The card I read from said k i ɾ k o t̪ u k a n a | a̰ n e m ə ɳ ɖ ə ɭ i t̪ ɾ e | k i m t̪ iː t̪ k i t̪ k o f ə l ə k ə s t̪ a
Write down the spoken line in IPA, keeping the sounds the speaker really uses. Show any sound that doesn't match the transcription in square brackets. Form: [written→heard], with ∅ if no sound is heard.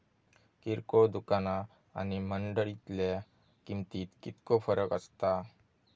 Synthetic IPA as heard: k i ɾ k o [t̪→d̪] u k a n a | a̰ n [e→i] m ə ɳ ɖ ə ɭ i t̪ [ɾ→l] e | k i m t̪ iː t̪ k i t̪ k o f ə [l→ɾ] ə k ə s t̪ a